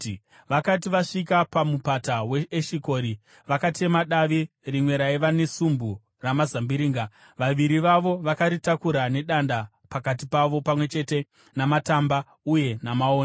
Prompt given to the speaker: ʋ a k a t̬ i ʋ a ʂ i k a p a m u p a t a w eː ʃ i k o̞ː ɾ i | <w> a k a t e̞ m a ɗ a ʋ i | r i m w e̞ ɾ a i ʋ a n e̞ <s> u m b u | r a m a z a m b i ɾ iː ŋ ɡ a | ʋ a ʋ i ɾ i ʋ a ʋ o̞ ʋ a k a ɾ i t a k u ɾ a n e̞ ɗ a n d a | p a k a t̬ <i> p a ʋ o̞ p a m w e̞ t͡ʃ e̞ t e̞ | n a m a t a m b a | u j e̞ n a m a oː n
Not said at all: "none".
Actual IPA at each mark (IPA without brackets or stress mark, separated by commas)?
ʋ, s, i